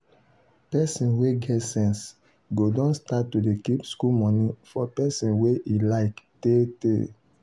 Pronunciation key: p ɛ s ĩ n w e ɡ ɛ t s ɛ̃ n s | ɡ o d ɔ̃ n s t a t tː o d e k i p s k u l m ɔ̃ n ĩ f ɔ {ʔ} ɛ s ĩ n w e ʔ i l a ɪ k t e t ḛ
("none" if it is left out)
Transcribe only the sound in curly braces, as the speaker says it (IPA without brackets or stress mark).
p